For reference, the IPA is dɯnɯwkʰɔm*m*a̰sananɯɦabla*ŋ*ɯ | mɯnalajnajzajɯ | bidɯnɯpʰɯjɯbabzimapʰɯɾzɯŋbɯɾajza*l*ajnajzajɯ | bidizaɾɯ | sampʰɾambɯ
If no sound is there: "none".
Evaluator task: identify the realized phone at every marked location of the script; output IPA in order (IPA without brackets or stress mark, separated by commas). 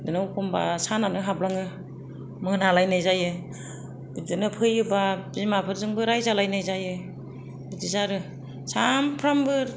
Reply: b, ŋ, l